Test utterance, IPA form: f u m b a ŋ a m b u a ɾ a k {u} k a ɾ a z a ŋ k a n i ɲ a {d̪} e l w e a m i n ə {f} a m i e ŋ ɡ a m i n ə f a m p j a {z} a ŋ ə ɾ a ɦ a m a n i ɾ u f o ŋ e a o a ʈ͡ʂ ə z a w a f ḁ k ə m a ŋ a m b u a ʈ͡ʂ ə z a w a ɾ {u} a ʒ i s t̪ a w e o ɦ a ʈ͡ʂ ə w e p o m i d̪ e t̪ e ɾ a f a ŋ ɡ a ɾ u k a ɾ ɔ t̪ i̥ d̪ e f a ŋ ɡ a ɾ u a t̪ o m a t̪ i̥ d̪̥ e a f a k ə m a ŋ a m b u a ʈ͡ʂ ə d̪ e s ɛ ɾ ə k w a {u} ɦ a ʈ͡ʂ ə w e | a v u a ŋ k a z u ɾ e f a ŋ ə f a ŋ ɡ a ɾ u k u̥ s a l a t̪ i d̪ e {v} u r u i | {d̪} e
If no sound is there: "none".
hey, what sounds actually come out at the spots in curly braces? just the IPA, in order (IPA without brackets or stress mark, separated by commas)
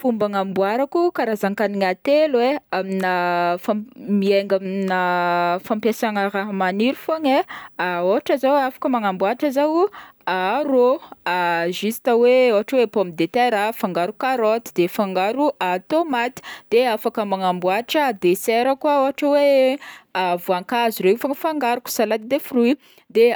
u, t̪, f, s, o, o, f, d̪